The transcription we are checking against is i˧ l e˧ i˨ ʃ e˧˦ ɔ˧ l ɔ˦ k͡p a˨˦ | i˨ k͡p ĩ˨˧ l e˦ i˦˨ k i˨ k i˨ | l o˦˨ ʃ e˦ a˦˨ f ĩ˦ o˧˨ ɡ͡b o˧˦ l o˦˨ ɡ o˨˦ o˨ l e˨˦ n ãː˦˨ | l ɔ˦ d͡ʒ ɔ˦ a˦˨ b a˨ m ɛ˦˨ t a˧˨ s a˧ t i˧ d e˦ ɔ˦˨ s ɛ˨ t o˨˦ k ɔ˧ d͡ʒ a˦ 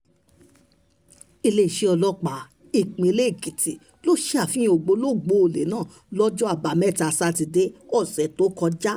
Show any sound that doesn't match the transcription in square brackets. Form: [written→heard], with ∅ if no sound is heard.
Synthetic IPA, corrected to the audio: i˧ l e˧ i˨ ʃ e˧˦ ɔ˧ l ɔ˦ k͡p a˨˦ | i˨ k͡p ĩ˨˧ l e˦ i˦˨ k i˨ [k→t] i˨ | l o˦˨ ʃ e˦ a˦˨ f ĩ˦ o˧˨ ɡ͡b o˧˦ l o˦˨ [ɡ→ɡ͡b] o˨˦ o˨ l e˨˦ n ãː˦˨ | l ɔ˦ d͡ʒ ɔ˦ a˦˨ b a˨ m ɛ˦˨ t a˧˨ s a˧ t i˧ d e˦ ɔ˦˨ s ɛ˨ t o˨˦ k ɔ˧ d͡ʒ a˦